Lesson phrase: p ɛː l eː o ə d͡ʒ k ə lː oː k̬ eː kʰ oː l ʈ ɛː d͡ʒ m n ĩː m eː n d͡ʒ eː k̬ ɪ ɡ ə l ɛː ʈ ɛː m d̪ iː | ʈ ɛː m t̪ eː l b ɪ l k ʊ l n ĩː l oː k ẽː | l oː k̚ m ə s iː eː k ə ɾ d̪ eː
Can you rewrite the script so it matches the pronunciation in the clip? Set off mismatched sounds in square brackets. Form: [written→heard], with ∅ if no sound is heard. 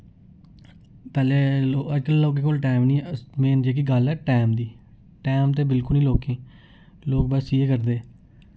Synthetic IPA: p ɛː l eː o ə d͡ʒ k ə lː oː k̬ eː [kʰ→k] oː l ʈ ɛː [d͡ʒ→∅] m n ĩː m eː n d͡ʒ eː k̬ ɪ ɡ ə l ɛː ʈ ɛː m d̪ iː | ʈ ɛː m t̪ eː [l→∅] b ɪ l k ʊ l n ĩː l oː k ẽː | l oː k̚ [m→b] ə s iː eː k ə ɾ d̪ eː